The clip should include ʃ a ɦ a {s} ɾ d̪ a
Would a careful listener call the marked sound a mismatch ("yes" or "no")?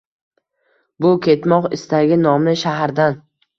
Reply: yes